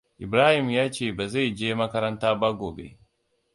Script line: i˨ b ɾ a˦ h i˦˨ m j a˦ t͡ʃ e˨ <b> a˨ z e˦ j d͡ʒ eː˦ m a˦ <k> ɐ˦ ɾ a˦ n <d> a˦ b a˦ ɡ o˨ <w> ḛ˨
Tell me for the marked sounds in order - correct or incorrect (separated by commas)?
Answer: correct, correct, incorrect, incorrect